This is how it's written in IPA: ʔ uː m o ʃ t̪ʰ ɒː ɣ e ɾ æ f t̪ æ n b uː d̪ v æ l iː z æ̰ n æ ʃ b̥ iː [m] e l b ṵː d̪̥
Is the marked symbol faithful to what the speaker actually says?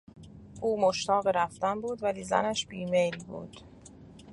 yes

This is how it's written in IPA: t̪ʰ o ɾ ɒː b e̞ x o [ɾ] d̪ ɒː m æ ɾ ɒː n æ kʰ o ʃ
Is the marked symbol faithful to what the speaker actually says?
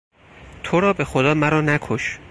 no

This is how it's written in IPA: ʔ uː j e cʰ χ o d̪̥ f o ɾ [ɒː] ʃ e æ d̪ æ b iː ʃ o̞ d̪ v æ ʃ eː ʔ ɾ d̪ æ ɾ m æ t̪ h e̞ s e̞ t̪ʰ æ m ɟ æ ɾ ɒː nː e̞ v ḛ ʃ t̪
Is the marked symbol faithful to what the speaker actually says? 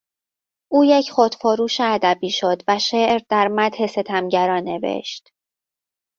no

